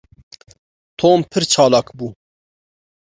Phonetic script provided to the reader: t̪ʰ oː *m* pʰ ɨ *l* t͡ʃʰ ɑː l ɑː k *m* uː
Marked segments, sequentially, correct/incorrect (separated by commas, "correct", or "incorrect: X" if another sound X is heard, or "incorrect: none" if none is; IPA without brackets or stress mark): correct, incorrect: ɾ, incorrect: b